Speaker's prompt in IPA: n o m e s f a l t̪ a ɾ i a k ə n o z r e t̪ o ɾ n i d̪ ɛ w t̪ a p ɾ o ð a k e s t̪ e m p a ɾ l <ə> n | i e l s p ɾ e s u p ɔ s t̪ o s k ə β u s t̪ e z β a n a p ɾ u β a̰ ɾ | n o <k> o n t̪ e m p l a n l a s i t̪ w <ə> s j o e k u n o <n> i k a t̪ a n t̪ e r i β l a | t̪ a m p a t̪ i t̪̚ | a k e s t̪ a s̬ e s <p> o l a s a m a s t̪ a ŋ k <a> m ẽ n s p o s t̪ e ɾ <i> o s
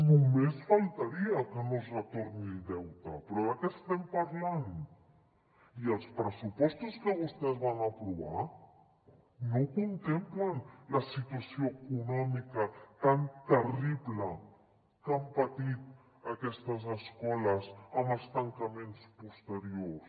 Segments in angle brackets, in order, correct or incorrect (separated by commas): incorrect, correct, incorrect, incorrect, incorrect, correct, incorrect